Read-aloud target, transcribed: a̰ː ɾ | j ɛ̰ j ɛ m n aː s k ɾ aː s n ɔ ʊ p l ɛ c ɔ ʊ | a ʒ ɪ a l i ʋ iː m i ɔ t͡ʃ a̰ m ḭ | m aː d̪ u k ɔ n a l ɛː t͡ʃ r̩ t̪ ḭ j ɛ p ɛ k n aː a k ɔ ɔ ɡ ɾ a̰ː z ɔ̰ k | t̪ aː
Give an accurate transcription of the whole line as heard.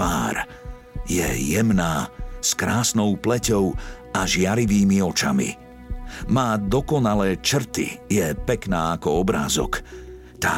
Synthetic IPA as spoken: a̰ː ɾ | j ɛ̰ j ɛ m n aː s k ɾ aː s n ɔ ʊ p l ɛ c ɔ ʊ | a ʒ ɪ a ɾ i ʋ iː m i ɔ t͡ʃ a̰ m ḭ | m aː d̪ ɔ k ɔ n a l ɛː t͡ʃ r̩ t̪ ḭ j ɛ p ɛ k n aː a k ɔ ɔ b ɾ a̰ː z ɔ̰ k | t̪ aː